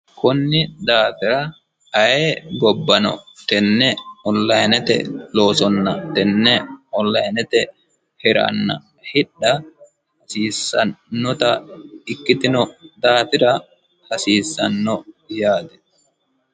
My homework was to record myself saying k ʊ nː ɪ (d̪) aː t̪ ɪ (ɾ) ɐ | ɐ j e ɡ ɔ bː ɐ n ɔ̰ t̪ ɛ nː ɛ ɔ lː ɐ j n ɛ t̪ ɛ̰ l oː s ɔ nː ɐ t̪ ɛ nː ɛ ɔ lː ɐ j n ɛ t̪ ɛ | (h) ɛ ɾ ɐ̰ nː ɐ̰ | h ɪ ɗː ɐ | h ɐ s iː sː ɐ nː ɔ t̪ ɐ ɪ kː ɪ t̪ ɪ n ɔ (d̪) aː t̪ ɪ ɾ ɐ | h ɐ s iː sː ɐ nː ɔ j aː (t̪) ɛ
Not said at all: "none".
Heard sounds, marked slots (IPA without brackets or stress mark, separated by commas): d̪, ɾ, h, d̪, d̪